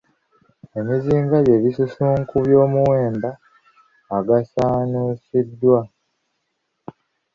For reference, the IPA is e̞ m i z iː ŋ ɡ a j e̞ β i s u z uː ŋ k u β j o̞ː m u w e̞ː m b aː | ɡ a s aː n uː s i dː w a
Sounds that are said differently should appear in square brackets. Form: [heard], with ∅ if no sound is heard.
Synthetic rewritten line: e̞ m i z iː ŋ ɡ a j e̞ β i s u [s] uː ŋ k u β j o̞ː m u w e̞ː m b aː | ɡ a s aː n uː s i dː w a